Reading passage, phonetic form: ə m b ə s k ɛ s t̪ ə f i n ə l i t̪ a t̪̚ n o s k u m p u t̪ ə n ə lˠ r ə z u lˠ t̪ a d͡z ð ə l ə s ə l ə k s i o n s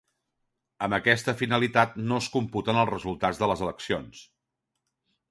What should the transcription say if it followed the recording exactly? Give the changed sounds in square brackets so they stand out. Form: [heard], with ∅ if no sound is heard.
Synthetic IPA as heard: ə m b ə [∅] k ɛ s t̪ ə f i n ə l i t̪ a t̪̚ n o s k u m p u t̪ ə n ə lˠ r ə z u lˠ t̪ a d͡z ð ə l ə [z] ə l ə k s i o n s